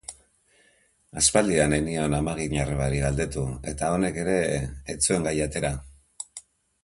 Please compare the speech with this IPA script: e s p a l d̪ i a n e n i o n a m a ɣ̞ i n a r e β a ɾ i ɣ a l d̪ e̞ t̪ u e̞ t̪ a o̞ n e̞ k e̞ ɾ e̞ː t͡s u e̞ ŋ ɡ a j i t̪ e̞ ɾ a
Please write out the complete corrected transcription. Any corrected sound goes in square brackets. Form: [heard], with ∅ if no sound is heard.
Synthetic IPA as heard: [a] s p a l d̪ i a n e n i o n a m a ɣ̞ i [ɲ] a r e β a ɾ i ɣ a l d̪ e̞ t̪ u e̞ t̪ a o̞ n e̞ k e̞ ɾ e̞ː t͡s u e̞ ŋ ɡ a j [a] t̪ e̞ ɾ a